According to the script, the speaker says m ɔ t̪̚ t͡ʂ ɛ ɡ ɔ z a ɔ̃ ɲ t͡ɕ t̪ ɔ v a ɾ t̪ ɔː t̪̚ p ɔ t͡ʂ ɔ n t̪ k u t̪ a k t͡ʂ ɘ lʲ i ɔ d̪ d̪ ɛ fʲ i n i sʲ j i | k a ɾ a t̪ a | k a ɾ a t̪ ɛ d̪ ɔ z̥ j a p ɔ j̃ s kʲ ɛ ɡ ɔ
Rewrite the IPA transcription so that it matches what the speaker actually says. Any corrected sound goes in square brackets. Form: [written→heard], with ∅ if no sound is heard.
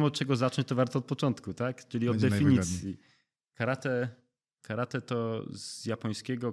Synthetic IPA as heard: m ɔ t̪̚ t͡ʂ ɛ ɡ ɔ z a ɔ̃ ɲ t͡ɕ t̪ ɔ v a ɾ t̪ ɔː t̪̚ p ɔ t͡ʂ ɔ n t̪ k u t̪ a k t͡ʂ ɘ lʲ i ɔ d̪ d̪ ɛ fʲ i [n→ɲ] i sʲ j i | k a ɾ a t̪ [a→ɛ] | k a ɾ a t̪ ɛ [d̪→t̪] ɔ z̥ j a p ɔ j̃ s kʲ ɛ ɡ ɔ